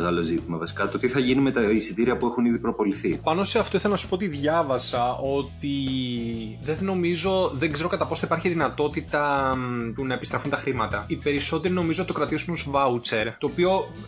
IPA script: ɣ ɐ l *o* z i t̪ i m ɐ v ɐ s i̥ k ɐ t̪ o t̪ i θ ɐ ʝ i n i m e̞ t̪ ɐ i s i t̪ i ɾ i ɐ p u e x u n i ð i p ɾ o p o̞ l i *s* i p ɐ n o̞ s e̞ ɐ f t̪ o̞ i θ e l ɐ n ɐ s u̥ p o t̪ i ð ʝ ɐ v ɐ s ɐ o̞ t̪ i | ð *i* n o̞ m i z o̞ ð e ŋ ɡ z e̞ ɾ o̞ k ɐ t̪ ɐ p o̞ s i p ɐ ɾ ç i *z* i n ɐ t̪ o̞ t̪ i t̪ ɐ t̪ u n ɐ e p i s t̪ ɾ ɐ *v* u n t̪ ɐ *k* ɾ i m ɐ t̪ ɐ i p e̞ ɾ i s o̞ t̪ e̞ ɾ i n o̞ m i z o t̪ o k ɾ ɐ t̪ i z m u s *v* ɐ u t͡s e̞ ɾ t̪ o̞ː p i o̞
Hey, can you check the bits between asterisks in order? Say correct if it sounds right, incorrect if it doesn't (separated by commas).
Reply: correct, incorrect, incorrect, incorrect, incorrect, incorrect, correct